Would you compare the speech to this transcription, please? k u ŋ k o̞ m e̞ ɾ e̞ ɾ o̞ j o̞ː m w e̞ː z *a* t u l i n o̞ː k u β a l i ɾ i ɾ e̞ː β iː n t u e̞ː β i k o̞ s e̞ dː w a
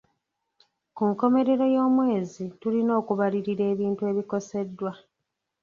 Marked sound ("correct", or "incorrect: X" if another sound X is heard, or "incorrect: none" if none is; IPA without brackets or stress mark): incorrect: i